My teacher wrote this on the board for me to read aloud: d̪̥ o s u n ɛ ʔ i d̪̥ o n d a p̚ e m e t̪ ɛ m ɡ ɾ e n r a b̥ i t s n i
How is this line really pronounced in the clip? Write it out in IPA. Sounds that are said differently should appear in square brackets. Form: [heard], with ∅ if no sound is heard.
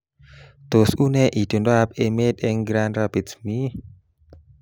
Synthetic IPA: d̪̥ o s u n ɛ ʔ i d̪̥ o n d a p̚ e m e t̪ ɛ [ŋ] ɡ ɾ [a] n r a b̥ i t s [m] i